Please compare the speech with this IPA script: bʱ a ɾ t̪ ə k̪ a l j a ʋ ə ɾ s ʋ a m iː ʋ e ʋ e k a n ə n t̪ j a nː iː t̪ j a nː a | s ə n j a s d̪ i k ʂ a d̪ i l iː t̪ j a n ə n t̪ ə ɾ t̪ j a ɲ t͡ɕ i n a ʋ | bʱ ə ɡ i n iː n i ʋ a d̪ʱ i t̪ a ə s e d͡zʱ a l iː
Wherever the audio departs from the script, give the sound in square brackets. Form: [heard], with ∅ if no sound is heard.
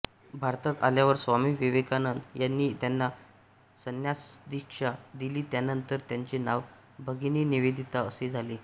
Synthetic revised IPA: bʱ a ɾ t̪ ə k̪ a l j a ʋ ə ɾ s ʋ a m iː ʋ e ʋ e k a n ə n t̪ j a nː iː t̪ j a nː a | s ə n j a s d̪ i k ʂ a d̪ i l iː t̪ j a n ə n t̪ ə ɾ t̪ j a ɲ t͡ɕ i n a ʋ | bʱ ə ɡ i n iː n i ʋ [e] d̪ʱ i t̪ a ə s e d͡zʱ a l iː